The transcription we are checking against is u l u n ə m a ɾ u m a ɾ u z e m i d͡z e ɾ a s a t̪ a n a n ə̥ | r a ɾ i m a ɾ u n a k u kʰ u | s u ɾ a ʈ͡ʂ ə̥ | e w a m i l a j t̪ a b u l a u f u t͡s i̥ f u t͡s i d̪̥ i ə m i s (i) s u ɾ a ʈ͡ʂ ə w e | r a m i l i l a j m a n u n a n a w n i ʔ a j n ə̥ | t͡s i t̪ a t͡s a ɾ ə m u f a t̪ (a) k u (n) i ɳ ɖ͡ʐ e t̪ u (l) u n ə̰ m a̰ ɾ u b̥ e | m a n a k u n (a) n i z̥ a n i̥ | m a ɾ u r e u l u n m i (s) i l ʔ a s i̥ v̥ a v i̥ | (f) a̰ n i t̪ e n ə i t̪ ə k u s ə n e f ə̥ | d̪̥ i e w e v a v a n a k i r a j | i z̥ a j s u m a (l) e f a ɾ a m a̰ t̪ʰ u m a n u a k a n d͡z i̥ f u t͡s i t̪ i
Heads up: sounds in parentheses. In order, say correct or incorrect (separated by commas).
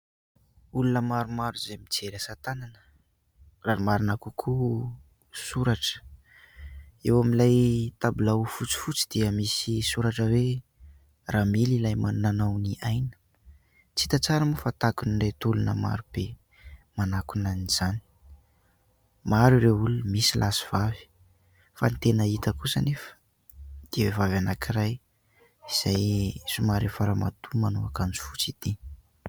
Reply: correct, correct, correct, correct, correct, correct, correct, incorrect